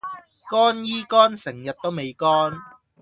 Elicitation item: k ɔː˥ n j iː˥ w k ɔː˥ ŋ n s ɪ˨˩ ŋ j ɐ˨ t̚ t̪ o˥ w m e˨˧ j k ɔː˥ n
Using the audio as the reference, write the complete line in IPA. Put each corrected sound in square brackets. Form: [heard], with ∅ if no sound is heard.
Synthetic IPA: k ɔː˥ n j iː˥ [∅] k ɔː˥ [∅] n s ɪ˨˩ ŋ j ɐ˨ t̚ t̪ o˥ w m e˨˧ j k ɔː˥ n